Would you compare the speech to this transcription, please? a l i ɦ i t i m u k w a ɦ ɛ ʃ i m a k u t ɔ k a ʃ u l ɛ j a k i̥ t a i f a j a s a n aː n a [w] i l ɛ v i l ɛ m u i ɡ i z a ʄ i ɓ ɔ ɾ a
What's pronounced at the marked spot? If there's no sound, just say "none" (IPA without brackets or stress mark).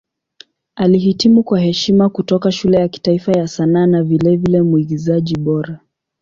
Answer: v